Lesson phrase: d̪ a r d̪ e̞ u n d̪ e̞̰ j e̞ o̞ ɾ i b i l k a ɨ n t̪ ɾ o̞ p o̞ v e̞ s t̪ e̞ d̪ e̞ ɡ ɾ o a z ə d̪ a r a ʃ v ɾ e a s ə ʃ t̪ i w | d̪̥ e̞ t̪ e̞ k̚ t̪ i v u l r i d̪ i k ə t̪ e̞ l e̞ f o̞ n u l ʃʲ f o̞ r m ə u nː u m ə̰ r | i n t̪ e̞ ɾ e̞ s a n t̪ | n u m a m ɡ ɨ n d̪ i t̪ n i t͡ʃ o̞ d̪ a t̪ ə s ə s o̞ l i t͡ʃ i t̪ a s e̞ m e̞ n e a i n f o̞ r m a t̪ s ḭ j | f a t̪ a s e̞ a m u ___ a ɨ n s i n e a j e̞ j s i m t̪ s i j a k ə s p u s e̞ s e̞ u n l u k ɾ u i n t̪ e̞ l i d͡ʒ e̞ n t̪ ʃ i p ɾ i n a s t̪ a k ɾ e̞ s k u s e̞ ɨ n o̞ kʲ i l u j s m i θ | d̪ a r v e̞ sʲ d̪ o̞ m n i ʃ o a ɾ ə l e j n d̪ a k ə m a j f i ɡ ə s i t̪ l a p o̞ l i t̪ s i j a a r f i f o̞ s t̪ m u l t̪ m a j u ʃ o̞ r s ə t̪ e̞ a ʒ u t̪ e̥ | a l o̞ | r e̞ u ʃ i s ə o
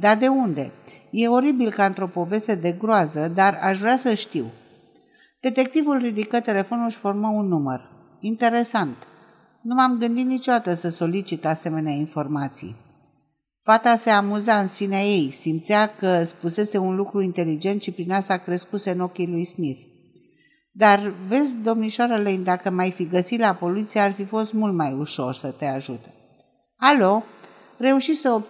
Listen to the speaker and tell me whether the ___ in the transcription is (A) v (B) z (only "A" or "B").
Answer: B